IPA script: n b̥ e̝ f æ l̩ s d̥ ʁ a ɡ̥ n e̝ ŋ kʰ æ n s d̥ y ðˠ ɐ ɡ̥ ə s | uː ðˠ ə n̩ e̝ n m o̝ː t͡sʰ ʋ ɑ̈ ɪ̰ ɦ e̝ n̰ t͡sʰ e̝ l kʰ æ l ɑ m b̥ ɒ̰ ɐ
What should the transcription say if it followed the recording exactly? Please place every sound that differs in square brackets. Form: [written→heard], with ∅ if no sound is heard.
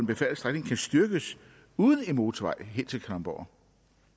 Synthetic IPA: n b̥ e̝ f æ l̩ s d̥ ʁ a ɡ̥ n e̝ ŋ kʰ æ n s d̥ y [ðˠ→∅] ɐ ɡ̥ ə s | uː ðˠ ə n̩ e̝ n m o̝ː t͡sʰ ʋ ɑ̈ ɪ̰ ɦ e̝ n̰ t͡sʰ e̝ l kʰ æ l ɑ m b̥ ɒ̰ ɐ